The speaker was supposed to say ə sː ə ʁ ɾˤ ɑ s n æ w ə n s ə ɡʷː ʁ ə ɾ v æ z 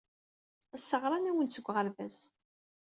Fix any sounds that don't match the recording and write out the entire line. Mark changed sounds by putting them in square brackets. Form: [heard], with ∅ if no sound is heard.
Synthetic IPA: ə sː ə ʁ ɾˤ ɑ [∅] n æ w ə n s ə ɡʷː ʁ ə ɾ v æ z